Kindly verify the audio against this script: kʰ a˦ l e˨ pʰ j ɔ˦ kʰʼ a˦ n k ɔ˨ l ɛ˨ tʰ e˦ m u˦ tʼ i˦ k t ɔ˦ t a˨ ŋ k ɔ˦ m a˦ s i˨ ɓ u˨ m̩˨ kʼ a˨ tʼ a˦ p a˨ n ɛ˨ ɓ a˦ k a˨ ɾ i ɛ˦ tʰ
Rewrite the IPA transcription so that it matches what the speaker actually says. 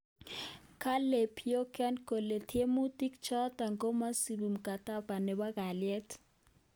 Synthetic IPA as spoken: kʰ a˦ l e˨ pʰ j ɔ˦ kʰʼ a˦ n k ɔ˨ l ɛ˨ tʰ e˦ m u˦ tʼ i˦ k t͡ʃ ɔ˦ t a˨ ŋ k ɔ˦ m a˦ s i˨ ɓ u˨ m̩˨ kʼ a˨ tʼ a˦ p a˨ n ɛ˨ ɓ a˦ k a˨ l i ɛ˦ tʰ